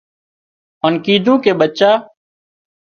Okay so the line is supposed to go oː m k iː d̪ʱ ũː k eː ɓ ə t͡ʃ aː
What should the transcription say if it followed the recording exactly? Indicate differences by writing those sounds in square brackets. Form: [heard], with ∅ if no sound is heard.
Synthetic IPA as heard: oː [n] k iː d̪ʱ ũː k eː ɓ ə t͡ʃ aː